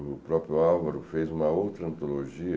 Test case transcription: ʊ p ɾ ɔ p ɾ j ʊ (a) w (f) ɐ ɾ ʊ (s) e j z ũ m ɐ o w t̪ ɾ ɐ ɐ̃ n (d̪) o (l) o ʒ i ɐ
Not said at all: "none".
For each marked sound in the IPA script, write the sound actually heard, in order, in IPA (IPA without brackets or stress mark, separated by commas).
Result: a, v, f, t̪, l